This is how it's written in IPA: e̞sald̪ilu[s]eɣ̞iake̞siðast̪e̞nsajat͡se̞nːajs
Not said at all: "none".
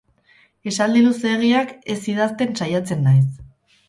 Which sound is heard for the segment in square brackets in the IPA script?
s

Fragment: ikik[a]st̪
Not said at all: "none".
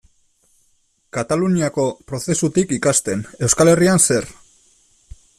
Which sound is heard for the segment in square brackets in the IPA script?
a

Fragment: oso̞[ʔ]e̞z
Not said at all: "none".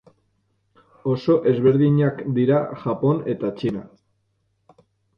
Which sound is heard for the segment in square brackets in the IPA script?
ʔ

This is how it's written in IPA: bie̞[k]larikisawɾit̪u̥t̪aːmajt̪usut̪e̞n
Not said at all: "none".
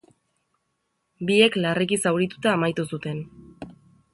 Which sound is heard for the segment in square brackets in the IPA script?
k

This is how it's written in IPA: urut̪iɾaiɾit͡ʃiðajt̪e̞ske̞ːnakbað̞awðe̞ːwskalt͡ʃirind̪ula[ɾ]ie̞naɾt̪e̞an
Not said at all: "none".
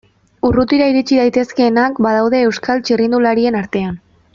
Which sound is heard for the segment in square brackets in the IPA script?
ɾ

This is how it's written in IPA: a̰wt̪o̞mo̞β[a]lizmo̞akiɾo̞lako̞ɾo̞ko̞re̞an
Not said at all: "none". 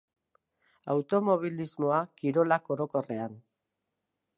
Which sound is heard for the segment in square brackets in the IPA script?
i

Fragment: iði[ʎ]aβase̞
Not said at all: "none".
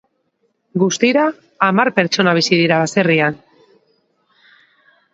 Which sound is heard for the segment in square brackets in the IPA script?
ɾ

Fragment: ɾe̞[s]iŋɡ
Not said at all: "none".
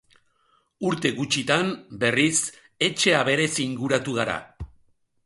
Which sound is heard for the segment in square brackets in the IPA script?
s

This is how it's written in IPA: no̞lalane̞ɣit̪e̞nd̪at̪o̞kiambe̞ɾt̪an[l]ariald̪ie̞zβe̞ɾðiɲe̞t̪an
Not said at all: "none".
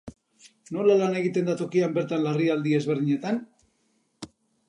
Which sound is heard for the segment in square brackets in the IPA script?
l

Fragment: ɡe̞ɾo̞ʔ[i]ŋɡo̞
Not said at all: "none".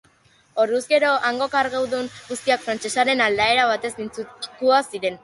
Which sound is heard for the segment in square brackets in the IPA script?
a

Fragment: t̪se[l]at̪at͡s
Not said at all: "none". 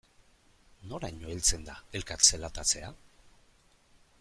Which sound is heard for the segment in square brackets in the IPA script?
l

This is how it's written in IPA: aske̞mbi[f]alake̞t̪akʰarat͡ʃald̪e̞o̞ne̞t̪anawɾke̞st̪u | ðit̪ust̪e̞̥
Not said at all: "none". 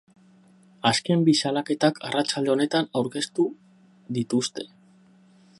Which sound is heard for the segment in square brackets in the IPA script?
s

